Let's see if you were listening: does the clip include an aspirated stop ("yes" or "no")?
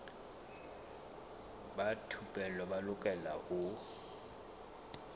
yes